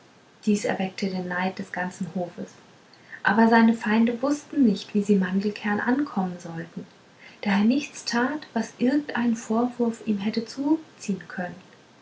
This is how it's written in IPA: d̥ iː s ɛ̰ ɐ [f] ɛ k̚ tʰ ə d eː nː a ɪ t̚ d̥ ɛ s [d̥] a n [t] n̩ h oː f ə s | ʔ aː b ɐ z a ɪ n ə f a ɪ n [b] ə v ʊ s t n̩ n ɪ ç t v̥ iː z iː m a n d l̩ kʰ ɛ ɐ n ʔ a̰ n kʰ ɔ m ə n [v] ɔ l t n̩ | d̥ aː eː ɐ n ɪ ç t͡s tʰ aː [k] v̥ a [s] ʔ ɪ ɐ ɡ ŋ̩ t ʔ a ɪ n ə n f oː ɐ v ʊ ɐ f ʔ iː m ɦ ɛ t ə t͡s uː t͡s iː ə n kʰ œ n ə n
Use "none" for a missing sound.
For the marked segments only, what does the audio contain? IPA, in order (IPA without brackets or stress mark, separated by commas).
v, ɡ̥, t͡s, d, z, t, s